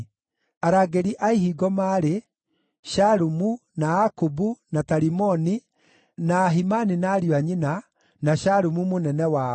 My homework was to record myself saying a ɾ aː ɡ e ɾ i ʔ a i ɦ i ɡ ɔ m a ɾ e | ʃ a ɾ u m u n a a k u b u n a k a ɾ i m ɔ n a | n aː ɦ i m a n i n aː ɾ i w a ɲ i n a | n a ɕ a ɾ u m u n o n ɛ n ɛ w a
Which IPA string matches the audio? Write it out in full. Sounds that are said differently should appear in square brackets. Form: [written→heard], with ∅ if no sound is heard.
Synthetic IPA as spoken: a ɾ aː ɡ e ɾ i ʔ a i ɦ i ɡ ɔ m a ɾ e | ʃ a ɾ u m u n a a k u b u n a [k→t] a ɾ i m ɔ n [a→i] | n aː ɦ i m a n i n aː ɾ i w a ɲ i n a | n a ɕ a ɾ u m u [n→m] o n ɛ n ɛ w a